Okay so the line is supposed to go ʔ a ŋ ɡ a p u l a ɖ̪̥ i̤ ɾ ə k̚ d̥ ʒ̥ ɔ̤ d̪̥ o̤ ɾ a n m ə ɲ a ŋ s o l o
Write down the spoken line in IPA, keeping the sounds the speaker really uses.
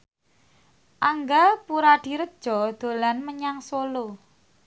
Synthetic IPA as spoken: ʔ a ŋ ɡ a p u ɾ a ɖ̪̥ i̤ ɾ ə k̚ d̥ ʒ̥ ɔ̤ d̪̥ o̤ l a n m ə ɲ a ŋ s o l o